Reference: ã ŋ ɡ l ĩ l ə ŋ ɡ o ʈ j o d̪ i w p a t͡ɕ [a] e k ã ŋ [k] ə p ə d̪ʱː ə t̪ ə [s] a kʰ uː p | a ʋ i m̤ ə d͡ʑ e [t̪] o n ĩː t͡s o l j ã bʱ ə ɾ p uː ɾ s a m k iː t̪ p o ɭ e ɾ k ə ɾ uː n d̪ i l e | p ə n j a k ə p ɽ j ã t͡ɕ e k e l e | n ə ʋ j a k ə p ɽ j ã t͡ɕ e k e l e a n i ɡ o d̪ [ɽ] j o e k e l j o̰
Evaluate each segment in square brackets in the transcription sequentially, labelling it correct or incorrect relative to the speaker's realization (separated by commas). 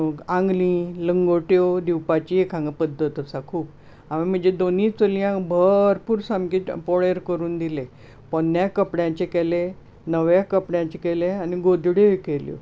incorrect, incorrect, correct, incorrect, correct